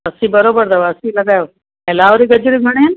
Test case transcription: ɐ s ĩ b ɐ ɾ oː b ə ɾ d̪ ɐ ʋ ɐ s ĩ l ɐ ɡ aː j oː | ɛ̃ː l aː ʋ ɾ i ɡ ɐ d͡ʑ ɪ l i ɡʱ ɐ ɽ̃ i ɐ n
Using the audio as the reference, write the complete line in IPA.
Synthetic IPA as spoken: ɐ s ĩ b ɐ ɾ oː b ə ɾ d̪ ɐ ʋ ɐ s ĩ l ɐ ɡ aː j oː | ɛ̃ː l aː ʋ ɾ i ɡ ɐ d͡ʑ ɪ ɾ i ɡʱ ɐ ɽ̃ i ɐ n

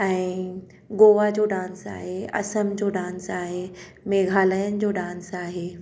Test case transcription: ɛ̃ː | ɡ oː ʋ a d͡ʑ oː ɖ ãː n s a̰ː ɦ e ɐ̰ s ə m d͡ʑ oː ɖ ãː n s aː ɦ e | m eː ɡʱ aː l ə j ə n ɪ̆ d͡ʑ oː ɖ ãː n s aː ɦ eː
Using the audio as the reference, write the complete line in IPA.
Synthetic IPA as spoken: ɛ̃ː | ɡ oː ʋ a d͡ʑ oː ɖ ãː n s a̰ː ɦ e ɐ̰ s ə m d͡ʑ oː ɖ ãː n s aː ɦ e | m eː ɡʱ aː l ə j ə n ɪ̆ d͡ʑ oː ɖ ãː n s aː ɦ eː

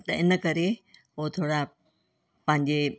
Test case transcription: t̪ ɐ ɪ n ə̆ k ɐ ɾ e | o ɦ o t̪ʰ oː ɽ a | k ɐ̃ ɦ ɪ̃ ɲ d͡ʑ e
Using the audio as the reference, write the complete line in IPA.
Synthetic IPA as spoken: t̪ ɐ ɪ n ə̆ k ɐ ɾ e | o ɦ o t̪ʰ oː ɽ a | p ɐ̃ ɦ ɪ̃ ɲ d͡ʑ e

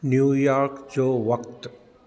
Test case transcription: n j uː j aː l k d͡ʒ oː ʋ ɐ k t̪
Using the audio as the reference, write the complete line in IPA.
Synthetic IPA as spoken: n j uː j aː ɾ k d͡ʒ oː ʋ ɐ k t̪

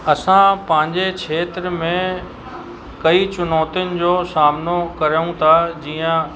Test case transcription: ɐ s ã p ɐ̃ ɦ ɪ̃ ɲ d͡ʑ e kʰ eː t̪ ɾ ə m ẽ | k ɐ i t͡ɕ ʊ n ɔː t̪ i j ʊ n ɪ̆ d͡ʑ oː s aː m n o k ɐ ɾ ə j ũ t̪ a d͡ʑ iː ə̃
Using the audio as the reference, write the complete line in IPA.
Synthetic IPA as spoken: ɐ s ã p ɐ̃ ɦ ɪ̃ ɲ d͡ʑ e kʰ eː t̪ ɾ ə m ẽ | k ɐ i t͡ɕ ʊ n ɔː t̪ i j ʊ n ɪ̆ d͡ʑ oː s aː m n o k ɐ ɾ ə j ũ t̪ʰ a d͡ʑ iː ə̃

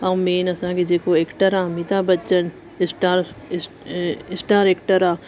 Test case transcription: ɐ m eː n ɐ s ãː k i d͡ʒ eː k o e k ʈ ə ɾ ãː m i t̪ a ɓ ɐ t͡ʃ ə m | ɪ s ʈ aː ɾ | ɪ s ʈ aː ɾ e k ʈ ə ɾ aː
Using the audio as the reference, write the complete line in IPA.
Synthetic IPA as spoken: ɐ m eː n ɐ s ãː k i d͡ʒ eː k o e k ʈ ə ɾ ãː m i t̪ a b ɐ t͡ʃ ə n | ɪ s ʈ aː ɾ | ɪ s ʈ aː ɾ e k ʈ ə ɾ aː

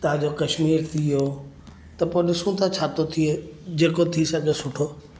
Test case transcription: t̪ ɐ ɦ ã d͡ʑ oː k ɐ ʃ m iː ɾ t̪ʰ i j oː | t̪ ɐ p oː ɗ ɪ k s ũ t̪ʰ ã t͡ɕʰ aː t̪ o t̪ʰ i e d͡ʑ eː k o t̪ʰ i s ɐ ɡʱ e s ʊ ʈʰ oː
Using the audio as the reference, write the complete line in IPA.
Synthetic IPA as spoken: t̪ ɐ ɦ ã d͡ʑ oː k ɐ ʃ m iː ɾ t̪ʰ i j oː | t̪ ɐ p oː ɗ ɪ s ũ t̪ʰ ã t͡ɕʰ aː t̪ o t̪ʰ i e d͡ʑ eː k o t̪ʰ i s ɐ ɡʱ e s ʊ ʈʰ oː

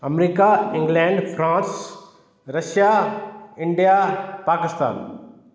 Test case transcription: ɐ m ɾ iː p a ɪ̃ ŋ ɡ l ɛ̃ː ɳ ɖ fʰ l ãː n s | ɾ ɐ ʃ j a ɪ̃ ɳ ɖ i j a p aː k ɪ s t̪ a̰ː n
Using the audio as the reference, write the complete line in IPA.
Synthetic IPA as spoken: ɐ m ɾ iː k a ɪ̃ ŋ ɡ l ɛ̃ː ɳ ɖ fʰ ɾ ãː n s | ɾ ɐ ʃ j a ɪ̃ ɳ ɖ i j a p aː k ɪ s t̪ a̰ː n

